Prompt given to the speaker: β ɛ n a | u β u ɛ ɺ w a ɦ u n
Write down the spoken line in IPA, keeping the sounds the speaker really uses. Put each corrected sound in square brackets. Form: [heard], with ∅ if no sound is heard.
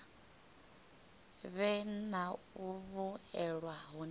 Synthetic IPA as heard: β ɛ n a | u β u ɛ ɺ w a ɦ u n

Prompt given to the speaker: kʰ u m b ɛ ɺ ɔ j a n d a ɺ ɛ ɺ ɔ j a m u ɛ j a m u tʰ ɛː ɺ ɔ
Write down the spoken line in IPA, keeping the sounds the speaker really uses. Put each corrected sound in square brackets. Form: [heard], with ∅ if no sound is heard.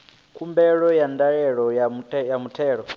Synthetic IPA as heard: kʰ u m b ɛ ɺ ɔ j a n d a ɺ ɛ ɺ ɔ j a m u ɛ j a m u tʰ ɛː ɺ ɔ

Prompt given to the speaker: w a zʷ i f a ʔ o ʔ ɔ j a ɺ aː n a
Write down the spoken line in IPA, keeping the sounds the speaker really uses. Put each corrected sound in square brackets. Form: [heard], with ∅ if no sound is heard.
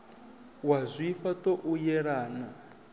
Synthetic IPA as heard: w a zʷ i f a [t] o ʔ [u] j [ɛ] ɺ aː n a

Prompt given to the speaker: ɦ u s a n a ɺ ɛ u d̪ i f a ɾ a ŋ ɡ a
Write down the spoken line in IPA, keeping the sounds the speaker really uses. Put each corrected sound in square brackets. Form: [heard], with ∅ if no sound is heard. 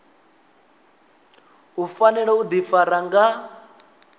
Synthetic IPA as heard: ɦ u [f] a n [ɛ] ɺ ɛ u d̪ i f a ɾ a ŋ ɡ a

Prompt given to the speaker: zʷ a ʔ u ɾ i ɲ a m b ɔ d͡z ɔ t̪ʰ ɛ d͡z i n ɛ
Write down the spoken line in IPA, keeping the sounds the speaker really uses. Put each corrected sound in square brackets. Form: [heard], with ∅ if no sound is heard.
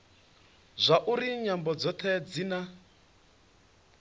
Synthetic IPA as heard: zʷ a ʔ u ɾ i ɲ a m b ɔ d͡z ɔ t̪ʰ ɛ d͡z i n [a]

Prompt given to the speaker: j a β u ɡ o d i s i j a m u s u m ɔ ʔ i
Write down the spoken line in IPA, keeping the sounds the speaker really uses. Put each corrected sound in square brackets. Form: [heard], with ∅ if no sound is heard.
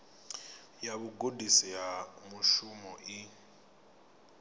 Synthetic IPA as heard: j a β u ɡ o d i s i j a m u [ʃ] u m ɔ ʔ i

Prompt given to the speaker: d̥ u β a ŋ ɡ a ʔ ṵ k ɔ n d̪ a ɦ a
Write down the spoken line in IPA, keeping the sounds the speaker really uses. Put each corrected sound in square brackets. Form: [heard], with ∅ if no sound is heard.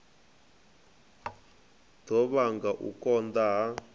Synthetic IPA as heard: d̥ [ɔ] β a ŋ ɡ a ʔ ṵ k ɔ n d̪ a ɦ a

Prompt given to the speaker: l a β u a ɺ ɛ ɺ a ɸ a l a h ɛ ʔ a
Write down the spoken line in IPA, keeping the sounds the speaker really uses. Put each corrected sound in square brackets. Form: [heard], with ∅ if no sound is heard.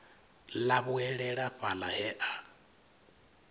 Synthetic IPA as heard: l a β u [ɛ] ɺ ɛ ɺ a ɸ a l a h ɛ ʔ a

